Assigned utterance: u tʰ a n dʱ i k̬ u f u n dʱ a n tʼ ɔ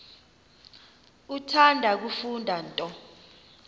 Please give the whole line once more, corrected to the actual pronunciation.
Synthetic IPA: u tʰ a n dʱ a k̬ u f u n dʱ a n tʼ ɔ